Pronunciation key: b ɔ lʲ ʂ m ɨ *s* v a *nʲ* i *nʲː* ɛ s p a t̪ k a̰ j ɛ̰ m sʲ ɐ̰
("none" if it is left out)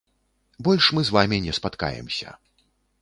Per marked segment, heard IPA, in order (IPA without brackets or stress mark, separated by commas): z, mʲ, nʲ